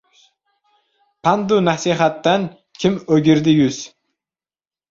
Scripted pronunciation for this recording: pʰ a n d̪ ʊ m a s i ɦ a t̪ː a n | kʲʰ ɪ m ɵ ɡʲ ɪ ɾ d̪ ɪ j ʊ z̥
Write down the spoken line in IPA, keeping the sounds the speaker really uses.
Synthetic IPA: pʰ a n d̪ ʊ n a s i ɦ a t̪ː a n | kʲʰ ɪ m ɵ ɡʲ ɪ ɾ d̪ ɪ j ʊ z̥